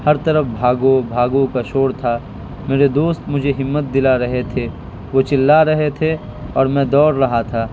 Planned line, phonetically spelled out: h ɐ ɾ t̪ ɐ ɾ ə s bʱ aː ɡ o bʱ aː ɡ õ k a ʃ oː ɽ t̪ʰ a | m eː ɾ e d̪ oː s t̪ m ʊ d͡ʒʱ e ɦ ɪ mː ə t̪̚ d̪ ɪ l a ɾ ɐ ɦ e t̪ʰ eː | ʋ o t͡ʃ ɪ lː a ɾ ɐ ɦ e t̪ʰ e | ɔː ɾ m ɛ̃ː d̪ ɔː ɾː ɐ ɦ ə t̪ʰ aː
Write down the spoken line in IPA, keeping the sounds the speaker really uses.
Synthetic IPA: h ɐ ɾ t̪ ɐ ɾ ə f bʱ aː ɡ o bʱ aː ɡ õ k a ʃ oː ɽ t̪ʰ a | m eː ɾ e d̪ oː s t̪ m ʊ d͡ʒʱ e ɦ ɪ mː ə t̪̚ d̪ ɪ l a ɾ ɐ ɦ e t̪ʰ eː | ʋ o t͡ʃ ɪ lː a ɾ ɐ ɦ e t̪ʰ e | ɔː ɾ m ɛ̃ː d̪ ɔː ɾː ɐ ɦ a t̪ʰ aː